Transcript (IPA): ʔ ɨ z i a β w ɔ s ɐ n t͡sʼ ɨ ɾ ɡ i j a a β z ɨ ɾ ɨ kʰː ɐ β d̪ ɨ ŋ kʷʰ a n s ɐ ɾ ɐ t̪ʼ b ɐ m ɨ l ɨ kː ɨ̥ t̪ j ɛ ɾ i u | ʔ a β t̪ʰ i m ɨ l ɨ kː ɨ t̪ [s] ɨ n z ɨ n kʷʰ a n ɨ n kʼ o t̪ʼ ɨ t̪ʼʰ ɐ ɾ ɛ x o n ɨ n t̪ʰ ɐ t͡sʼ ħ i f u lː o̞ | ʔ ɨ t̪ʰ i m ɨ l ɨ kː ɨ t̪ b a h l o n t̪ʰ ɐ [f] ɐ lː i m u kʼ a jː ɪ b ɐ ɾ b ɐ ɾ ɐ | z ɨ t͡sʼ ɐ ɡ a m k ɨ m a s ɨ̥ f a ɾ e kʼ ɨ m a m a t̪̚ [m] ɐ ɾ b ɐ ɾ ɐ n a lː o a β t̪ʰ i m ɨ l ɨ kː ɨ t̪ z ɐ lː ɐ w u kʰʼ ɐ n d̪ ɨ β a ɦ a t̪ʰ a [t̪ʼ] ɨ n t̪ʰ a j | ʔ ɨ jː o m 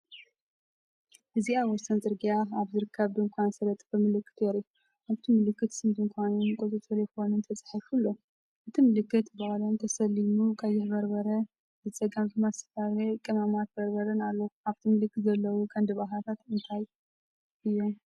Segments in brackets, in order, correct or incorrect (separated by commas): correct, incorrect, incorrect, incorrect